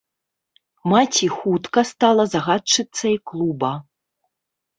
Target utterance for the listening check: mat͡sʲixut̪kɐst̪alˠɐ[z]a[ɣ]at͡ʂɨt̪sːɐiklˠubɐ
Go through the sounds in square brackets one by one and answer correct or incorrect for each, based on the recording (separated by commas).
correct, correct